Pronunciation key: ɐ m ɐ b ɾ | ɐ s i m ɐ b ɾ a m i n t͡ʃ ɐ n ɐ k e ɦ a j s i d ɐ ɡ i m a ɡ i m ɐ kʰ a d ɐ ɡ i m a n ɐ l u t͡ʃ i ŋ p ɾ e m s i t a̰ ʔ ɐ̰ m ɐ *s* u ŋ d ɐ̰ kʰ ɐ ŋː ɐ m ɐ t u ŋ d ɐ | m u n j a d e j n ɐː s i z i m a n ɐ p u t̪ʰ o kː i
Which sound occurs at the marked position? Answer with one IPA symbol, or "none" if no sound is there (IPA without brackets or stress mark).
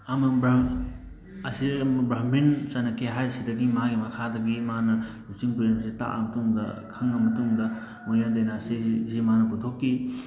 t